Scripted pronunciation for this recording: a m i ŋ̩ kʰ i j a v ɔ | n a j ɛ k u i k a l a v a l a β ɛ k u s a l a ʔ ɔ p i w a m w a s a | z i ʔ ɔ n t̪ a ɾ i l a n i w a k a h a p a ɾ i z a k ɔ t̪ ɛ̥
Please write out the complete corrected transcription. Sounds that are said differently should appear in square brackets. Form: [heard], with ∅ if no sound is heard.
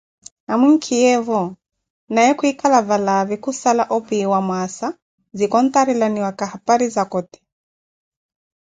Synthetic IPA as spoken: a m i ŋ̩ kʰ i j [ɛ] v ɔ | n a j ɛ k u i k a l a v a l a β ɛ k u s a l a ʔ ɔ p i w a m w a s a | z i [k] ɔ n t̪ a ɾ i l a n i w a k a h a p a ɾ i z a k ɔ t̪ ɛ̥